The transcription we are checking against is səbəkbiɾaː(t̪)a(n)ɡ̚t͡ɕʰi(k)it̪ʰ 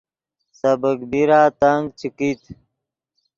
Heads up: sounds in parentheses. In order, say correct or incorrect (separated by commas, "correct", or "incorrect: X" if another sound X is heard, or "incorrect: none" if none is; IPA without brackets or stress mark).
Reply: correct, incorrect: ŋ, correct